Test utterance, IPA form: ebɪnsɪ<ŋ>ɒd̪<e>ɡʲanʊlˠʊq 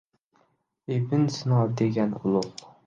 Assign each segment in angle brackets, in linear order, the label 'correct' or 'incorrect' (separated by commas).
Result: incorrect, correct